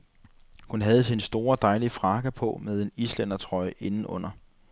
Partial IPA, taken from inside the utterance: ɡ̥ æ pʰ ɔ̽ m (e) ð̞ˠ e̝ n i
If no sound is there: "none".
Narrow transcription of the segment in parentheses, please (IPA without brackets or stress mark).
e